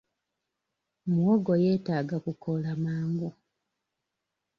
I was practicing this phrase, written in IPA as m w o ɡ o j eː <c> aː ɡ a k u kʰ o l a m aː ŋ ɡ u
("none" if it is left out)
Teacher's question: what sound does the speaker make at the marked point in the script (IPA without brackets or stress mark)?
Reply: t